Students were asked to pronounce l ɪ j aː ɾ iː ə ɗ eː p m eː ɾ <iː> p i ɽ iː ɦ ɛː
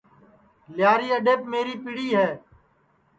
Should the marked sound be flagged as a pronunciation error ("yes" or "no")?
no